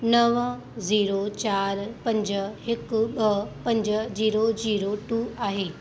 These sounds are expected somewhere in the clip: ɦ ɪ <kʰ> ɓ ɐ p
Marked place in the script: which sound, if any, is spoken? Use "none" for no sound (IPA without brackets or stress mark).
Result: k